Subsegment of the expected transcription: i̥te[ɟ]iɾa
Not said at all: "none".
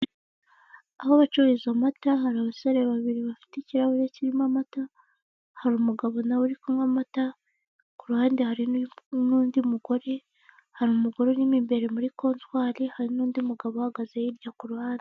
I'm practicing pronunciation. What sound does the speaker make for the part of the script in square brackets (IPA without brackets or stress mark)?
c